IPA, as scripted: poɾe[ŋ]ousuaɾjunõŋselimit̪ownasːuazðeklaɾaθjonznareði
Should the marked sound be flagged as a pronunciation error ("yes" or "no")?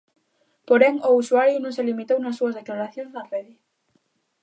no